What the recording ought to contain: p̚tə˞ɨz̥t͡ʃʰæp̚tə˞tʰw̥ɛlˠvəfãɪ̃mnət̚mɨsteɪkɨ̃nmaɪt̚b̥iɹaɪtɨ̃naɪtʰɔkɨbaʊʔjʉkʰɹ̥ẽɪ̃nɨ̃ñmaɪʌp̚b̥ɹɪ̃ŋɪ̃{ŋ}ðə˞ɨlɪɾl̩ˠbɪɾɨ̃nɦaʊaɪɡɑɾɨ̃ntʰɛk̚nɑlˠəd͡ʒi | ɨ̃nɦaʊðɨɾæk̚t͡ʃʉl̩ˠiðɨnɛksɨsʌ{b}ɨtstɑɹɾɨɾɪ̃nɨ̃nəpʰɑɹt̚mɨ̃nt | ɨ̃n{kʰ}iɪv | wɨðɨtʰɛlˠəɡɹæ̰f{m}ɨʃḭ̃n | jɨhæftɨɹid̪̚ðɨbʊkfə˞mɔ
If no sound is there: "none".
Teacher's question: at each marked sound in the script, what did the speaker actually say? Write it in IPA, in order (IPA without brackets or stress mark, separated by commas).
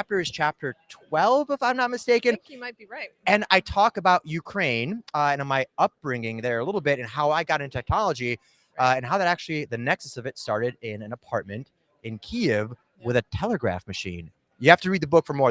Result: ŋ, v, kʰ, m